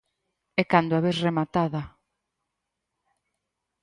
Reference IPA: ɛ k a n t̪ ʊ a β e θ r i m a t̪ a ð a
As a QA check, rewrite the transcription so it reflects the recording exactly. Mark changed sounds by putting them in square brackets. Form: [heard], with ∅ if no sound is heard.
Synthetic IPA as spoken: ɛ k a n [d̪] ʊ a β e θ r [e] m a t̪ a ð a

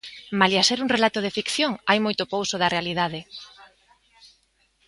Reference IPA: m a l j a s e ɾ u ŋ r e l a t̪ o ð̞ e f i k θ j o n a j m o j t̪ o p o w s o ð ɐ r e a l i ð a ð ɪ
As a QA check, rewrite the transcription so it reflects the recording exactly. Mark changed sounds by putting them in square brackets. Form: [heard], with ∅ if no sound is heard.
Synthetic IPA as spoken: m a l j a s e ɾ u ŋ r e l a t̪ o ð̞ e f i k θ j o [ŋ] a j m o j t̪ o p o w s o ð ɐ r e a l i ð a ð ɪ

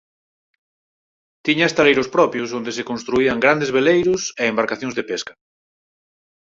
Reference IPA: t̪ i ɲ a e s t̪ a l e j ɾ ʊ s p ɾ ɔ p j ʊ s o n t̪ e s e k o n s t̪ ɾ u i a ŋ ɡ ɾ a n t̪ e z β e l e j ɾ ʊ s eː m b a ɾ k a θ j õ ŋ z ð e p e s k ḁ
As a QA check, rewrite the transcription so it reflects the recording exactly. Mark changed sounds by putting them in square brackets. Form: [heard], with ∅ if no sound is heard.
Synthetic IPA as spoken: t̪ i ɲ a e s t̪ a l e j ɾ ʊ s p ɾ ɔ p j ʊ s o n [d̪] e s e k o n s t̪ ɾ u i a ŋ ɡ ɾ a n [d̪] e z β e l e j ɾ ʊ s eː m b a ɾ k a θ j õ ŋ z ð e p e s k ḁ

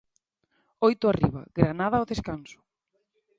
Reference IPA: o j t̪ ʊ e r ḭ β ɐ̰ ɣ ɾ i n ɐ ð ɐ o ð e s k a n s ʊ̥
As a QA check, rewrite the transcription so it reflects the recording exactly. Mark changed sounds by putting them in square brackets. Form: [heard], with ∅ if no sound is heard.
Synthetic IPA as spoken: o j t̪ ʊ [a] r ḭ β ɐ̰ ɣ ɾ [a] n [a] ð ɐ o ð e s k a n s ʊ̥

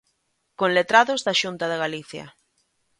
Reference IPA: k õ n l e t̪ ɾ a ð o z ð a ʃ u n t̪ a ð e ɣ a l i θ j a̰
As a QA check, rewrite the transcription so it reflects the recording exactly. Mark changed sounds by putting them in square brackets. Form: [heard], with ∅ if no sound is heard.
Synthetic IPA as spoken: k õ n l e t̪ ɾ a ð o z ð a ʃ u n t̪ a ð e ɣ a l i θ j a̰

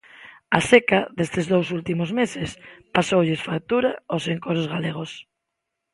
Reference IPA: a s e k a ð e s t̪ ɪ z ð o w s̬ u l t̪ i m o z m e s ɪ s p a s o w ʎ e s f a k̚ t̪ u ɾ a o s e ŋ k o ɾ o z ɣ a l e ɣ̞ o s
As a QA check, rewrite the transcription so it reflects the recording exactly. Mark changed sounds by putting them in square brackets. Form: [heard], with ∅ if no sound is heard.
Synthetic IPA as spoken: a s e k a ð e s t̪ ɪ z ð o w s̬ u l t̪ i m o z m e s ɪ s p a s o w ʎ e s f a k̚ t̪ u ɾ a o s e ŋ k o ɾ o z ɣ a l e ɣ̞ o s

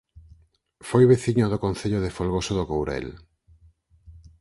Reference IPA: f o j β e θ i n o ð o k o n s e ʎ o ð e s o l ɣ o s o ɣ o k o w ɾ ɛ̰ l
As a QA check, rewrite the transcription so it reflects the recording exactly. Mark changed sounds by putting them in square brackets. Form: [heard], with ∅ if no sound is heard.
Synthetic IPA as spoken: f o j β e θ i [ɲ] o ð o k o n [θ] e ʎ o ð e [f] o l ɣ o s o [ð] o k o w ɾ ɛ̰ l

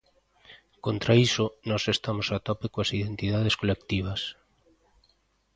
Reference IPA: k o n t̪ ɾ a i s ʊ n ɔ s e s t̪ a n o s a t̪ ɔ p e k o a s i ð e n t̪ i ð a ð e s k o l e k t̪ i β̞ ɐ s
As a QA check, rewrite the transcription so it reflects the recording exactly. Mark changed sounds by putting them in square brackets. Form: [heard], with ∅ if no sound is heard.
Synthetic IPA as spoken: k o n t̪ ɾ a i s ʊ n ɔ s e s t̪ a [m] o s a t̪ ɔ p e k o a s i ð e n t̪ i ð a ð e s k o l e k t̪ i β̞ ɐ s

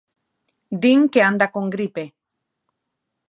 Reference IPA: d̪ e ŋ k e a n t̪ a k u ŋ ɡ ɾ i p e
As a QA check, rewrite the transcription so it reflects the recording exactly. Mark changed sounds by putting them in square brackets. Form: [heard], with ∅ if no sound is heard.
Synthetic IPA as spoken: d̪ [i] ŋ k e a n [d̪] a k [o] ŋ ɡ ɾ i p e

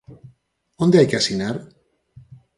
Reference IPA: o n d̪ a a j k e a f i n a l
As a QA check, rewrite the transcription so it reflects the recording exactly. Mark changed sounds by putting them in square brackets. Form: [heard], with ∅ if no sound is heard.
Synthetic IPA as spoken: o n d̪ [e] a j k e a [s] i n a [ɾ]

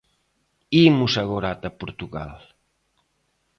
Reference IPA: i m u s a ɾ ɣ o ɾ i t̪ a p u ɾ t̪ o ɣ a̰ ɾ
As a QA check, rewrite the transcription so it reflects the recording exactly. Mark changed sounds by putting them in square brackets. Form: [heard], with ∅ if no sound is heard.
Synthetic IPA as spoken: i m u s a [∅] ɣ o ɾ [a] t̪ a p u ɾ t̪ [u] ɣ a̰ [l]

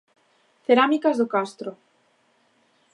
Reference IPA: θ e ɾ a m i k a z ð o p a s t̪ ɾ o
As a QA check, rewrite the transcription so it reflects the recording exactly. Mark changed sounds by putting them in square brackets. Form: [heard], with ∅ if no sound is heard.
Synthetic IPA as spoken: θ e ɾ a m i k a z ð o [k] a s t̪ ɾ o

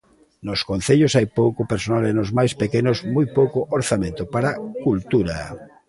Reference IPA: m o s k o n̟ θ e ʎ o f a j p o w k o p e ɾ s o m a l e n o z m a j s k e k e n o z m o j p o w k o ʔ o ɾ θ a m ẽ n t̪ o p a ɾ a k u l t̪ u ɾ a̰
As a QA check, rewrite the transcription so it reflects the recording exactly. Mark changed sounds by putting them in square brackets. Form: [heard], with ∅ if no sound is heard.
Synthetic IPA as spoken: [n] o s k o n̟ θ e ʎ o [s] a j p o w k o p e ɾ s o [n] a l e n o z m a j s [p] e k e n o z m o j p o w k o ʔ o ɾ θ a m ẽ n t̪ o p a ɾ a k u l t̪ u ɾ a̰

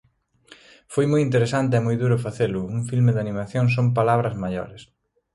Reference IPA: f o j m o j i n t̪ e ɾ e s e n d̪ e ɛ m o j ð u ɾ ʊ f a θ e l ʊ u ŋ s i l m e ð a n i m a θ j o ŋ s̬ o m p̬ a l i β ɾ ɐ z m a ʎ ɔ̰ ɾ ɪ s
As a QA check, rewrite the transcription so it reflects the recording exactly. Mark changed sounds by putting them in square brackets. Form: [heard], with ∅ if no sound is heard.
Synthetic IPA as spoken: f o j m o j i n t̪ e ɾ e s [a] n [t̪] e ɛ m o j ð u ɾ ʊ f a θ e l ʊ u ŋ [f] i l m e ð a n i m a θ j o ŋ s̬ o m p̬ a l [a] β ɾ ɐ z m a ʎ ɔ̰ ɾ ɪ s

